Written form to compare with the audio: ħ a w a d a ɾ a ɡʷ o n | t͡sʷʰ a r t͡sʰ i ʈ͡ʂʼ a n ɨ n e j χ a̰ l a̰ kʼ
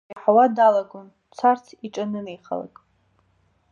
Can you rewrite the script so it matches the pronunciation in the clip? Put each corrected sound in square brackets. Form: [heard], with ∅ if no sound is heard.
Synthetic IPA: ħ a w a d a [l] a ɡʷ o n | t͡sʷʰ a r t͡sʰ i ʈ͡ʂʼ a n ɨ n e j χ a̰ l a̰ kʼ